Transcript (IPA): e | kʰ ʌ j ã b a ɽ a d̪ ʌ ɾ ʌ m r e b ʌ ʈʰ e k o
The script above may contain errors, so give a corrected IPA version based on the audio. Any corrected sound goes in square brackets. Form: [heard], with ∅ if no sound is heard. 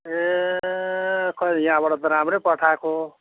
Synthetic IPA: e | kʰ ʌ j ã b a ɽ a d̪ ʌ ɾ [a] m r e [p] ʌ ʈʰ [a] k o